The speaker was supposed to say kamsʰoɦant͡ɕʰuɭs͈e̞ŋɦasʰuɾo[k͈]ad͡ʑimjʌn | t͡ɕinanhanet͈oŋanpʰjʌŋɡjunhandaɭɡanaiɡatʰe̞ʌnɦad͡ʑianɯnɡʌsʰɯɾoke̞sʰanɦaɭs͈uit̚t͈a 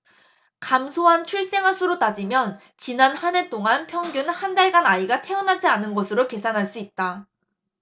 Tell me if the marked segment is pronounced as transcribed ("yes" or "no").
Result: no